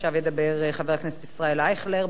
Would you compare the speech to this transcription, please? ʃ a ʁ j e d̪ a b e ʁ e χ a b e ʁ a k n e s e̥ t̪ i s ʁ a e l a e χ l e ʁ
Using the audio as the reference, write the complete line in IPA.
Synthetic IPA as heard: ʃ a v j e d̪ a b e ʁ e χ a v e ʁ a k n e s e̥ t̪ i s ʁ a e l a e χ l e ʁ